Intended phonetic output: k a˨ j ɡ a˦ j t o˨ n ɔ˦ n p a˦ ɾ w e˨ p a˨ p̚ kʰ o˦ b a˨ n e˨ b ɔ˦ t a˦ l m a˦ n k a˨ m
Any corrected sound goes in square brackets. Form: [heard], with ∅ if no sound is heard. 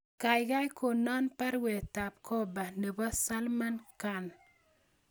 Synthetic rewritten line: k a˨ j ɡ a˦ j [k] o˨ n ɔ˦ n p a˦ ɾ w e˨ [t] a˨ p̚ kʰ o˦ b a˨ n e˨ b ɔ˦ [s] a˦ l m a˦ n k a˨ [n]